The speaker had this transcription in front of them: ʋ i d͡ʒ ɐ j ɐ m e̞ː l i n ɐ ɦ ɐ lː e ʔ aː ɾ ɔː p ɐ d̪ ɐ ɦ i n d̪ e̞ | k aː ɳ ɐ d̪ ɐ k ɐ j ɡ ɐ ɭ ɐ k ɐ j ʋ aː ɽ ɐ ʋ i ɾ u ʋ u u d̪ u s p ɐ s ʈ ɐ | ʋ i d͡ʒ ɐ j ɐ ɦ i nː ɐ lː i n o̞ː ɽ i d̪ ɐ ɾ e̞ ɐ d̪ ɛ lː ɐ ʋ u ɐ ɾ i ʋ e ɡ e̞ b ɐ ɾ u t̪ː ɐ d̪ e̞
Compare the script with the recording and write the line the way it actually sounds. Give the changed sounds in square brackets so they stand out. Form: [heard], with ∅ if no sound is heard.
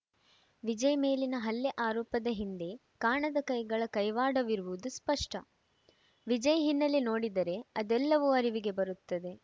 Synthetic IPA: ʋ i d͡ʒ ɐ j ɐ m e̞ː l i n ɐ ɦ ɐ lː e ʔ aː ɾ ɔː p ɐ d̪ ɐ ɦ i n d̪ e̞ | k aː ɳ ɐ d̪ ɐ k ɐ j ɡ ɐ ɭ ɐ k ɐ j ʋ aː ɽ ɐ ʋ i ɾ u ʋ u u d̪ u s p ɐ [ʂ] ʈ ɐ | ʋ i d͡ʒ ɐ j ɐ ɦ i nː ɐ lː i n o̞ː ɽ i d̪ ɐ ɾ e̞ ɐ d̪ ɛ lː ɐ ʋ u ɐ ɾ i ʋ [i] ɡ e̞ b ɐ ɾ u t̪ː ɐ d̪ e̞